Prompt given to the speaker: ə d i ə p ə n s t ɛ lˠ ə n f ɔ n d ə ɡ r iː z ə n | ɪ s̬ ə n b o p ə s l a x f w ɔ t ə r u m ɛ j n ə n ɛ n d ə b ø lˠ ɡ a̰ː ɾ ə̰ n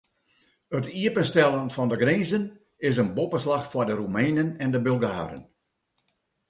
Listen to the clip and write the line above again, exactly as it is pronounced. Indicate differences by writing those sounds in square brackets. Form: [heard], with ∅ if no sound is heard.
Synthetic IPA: ə [t] i ə p ə n s t ɛ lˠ ə n f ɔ n d ə ɡ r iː z ə n | ɪ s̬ ə n b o p ə s l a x f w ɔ [d] ə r u m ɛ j n ə n ɛ n d ə b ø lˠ ɡ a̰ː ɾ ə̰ n